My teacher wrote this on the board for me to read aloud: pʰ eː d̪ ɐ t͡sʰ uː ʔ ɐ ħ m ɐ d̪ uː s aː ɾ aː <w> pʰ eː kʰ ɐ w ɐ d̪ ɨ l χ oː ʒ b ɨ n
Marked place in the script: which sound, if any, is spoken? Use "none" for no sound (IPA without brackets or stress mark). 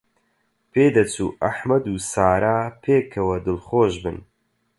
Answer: none